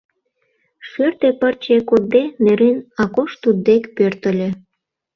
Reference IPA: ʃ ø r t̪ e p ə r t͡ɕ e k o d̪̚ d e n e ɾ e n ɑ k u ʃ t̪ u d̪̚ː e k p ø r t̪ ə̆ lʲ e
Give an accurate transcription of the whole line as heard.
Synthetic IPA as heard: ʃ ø r t̪ e p ə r t͡ɕ e k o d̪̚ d e n e ɾ e n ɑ k o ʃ t̪ u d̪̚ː e k p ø r t̪ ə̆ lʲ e